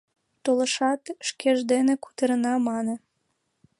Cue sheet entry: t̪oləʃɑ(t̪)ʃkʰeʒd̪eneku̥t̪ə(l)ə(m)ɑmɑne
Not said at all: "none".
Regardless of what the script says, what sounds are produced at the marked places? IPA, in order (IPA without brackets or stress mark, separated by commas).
t̪, ɾ, n